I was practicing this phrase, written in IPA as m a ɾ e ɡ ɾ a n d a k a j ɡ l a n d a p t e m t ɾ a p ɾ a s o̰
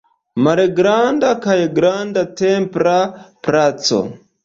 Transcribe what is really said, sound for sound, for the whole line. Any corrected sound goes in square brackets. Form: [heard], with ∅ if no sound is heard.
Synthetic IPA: m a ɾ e ɡ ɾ a n d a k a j ɡ [ɾ] a n d a [∅] t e m [p] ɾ a p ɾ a [t͡s] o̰